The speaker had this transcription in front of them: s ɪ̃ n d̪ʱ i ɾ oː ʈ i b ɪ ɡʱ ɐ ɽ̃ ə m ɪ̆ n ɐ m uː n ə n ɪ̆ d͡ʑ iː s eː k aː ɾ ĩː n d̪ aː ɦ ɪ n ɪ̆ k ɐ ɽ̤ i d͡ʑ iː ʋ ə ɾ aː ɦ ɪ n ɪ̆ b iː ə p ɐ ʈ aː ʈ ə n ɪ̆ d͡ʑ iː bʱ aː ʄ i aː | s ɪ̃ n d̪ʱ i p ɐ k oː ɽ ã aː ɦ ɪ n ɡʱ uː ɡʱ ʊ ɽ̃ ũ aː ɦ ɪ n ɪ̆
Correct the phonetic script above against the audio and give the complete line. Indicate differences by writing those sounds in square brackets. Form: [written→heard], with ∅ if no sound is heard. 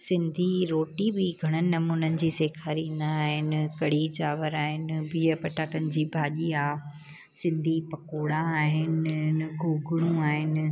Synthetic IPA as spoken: s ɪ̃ n d̪ʱ i ɾ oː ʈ i b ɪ ɡʱ ɐ ɽ̃ ə [m→n] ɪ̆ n ɐ m uː n ə n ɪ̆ d͡ʑ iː s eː [k→kʰ] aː ɾ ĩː n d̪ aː ɦ ɪ n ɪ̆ k ɐ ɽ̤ i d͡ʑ [iː→aː] ʋ ə ɾ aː ɦ ɪ n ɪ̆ b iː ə p ɐ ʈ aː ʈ ə n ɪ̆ d͡ʑ iː bʱ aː ʄ i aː | s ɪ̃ n d̪ʱ i p ɐ k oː ɽ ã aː ɦ ɪ n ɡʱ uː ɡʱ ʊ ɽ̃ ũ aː ɦ ɪ n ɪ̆